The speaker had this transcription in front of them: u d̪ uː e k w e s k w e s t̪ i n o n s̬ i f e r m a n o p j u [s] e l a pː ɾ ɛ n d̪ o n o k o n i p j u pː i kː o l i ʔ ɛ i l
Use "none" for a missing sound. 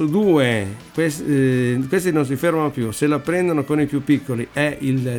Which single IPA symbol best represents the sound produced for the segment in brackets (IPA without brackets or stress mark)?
s